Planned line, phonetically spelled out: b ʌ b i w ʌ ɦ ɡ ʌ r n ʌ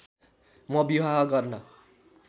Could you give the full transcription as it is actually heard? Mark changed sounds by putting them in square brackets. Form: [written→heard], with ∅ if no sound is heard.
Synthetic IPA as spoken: [b→m] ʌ b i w [ʌ→a] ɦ ɡ ʌ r n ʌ